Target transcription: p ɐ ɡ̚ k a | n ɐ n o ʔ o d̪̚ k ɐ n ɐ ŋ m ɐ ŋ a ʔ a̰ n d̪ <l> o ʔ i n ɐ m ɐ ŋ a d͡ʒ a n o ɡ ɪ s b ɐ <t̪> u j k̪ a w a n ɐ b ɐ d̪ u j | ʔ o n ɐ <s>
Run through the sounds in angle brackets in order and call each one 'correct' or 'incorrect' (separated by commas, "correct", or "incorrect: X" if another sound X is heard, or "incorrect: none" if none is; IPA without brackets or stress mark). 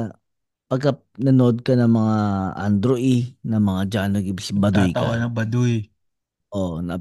incorrect: ɾ, incorrect: d̪, incorrect: none